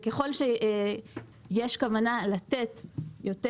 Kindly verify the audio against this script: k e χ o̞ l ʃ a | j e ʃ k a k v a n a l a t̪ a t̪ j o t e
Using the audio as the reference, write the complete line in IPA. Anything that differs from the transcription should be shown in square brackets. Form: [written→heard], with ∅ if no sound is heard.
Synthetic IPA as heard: k e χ o̞ l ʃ [a→e] | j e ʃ k a [k→∅] v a n a l a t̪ [a→e] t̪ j o t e